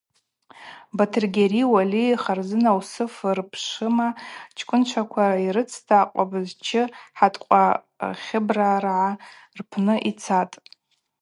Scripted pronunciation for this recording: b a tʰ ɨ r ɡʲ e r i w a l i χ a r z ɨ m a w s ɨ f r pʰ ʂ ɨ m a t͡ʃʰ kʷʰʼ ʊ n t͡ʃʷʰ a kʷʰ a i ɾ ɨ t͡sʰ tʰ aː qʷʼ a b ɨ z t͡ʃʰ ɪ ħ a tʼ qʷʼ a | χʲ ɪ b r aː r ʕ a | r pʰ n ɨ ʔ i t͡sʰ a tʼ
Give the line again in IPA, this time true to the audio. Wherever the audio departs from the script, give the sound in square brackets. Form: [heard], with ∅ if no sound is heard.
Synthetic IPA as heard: b a tʰ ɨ r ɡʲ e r i w a l i χ a r z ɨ [n] a w s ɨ f r pʰ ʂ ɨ m a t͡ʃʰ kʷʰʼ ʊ n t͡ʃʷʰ a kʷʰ a i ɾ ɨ t͡sʰ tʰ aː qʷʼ a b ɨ z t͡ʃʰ ɪ ħ a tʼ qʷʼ a | χʲ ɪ b r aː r ʕ a | r pʰ n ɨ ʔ i t͡sʰ a tʼ